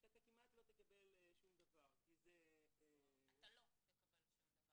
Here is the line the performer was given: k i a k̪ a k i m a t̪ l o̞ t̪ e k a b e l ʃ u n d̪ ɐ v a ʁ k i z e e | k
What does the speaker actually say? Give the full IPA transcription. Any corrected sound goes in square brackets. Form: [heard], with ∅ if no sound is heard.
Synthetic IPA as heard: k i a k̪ a k i m a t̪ l o̞ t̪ e k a b e l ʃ u [m] d̪ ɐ v a ʁ k i z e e | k